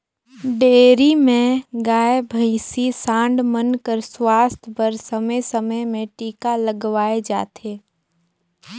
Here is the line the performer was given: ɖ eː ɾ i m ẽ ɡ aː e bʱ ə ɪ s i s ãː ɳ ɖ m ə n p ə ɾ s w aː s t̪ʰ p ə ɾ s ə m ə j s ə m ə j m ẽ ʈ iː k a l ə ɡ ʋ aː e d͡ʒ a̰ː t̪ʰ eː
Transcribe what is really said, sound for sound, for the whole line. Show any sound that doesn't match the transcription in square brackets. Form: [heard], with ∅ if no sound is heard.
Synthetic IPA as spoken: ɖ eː ɾ i m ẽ ɡ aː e bʱ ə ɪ s i s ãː ɳ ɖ m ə n [k] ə ɾ s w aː s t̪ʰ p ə ɾ s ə m ə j s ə m ə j m ẽ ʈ iː k a l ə ɡ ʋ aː e d͡ʒ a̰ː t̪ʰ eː